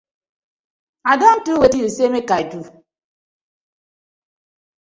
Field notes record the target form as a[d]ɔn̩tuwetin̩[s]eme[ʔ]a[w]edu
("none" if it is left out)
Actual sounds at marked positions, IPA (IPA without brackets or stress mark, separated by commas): d, s, k, none